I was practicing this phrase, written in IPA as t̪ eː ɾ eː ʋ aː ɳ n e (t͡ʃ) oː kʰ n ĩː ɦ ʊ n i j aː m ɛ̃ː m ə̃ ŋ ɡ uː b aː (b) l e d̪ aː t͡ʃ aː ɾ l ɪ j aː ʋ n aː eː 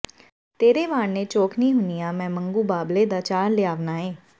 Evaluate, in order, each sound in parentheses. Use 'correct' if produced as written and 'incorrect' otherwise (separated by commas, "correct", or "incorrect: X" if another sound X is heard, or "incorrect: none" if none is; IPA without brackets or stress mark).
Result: correct, correct